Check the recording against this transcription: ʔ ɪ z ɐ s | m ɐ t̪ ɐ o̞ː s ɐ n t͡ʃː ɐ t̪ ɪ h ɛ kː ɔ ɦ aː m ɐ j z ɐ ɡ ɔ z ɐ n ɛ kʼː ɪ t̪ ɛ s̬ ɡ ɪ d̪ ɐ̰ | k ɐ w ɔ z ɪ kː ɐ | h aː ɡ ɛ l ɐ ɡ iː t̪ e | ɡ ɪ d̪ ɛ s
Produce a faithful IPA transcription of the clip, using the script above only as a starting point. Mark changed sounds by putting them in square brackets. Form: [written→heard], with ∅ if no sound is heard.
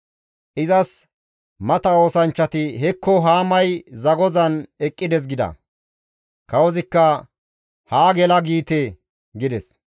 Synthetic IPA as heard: ʔ ɪ z ɐ s | m ɐ t̪ ɐ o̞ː s ɐ n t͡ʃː ɐ t̪ ɪ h ɛ kː ɔ ɦ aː m ɐ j z ɐ ɡ ɔ z ɐ n ɛ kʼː ɪ [t̪→d̪] ɛ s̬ ɡ ɪ d̪ ɐ̰ | k ɐ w ɔ z ɪ kː ɐ | h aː ɡ ɛ l ɐ ɡ iː t̪ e | ɡ ɪ d̪ ɛ s